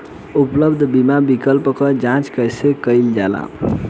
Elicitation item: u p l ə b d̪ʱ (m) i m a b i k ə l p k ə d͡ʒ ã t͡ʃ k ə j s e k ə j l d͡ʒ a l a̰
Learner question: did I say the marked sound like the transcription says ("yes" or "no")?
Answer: no